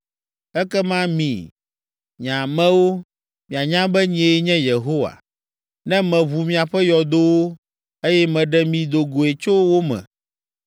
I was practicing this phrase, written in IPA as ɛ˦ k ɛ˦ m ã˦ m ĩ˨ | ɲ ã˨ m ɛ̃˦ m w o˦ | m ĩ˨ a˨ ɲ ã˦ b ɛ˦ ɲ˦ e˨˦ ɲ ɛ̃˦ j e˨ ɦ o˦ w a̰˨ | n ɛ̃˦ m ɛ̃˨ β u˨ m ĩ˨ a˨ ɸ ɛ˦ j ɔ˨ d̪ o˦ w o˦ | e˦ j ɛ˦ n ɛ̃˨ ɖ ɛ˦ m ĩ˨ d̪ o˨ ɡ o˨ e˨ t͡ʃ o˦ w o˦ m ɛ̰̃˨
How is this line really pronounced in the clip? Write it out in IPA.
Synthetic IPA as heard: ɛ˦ k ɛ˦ m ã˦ m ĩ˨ | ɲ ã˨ m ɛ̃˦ w o˦ | m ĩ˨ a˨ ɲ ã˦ b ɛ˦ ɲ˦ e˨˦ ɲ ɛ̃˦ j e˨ ɦ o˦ w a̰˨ | n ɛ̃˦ m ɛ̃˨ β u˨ m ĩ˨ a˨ ɸ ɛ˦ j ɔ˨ d̪ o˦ w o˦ | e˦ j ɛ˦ m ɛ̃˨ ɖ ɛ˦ m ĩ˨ d̪ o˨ ɡ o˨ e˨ t͡ʃ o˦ w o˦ m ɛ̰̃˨